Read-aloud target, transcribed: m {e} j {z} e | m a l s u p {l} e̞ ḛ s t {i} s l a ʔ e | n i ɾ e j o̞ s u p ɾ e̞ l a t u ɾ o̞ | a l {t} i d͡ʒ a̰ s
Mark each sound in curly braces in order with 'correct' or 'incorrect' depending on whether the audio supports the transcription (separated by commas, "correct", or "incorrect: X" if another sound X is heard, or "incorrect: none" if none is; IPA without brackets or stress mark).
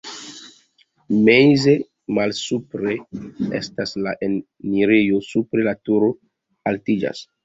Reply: correct, correct, incorrect: ɾ, incorrect: a, correct